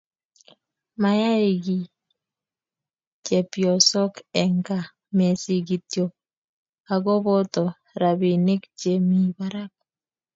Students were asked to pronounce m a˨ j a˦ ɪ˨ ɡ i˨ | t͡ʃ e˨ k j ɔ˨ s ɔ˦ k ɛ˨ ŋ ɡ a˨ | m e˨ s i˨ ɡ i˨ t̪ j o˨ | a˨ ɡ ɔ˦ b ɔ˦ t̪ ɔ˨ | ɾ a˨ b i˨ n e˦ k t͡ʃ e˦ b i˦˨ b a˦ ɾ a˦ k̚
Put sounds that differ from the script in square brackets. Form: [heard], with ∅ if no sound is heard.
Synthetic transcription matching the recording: m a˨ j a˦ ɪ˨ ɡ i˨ | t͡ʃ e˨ [p] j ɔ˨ s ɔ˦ k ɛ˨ ŋ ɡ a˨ | m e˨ s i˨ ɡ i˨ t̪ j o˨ | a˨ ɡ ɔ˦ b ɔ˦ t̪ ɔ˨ | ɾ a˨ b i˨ n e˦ k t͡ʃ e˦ [m] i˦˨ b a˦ ɾ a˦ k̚